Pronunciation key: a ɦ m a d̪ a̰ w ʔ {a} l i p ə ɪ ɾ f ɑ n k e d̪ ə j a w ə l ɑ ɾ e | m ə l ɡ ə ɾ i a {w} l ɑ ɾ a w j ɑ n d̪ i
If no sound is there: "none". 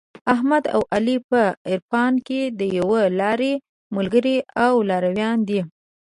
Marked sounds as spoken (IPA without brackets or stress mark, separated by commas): a, w